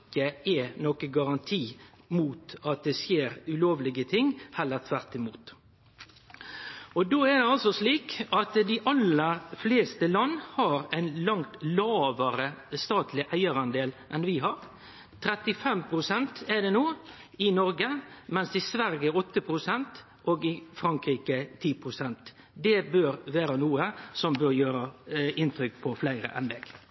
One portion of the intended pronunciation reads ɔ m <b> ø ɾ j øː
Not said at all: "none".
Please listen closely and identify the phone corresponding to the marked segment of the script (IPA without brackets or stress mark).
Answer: b